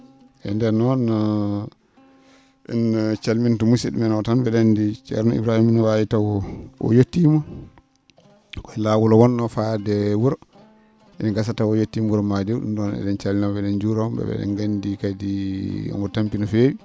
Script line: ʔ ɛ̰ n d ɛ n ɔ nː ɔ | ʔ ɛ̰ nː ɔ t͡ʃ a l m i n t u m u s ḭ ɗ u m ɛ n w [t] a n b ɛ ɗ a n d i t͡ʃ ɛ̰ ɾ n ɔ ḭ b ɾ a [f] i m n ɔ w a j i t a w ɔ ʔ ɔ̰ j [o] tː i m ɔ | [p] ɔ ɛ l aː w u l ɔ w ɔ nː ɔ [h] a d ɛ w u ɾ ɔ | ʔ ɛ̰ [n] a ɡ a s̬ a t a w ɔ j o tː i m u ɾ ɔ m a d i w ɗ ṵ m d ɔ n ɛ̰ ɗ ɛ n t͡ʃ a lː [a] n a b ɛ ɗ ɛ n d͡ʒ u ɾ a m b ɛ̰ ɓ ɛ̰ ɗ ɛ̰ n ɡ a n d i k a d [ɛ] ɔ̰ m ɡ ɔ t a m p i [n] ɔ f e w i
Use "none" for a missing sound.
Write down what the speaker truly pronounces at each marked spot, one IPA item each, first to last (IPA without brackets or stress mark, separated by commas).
t, h, o, k, f, n, i, i, n